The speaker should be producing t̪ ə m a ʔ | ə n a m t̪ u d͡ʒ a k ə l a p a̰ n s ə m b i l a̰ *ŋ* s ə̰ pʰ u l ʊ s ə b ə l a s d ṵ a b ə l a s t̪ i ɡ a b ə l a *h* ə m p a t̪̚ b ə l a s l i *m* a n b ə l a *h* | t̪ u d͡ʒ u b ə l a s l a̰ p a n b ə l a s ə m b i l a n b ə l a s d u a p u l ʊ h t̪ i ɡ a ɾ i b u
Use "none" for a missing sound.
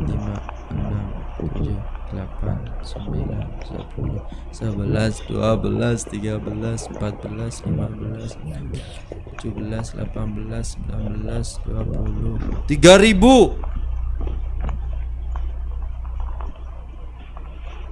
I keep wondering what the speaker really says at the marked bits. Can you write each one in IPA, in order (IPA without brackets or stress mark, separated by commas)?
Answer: n, s, m, s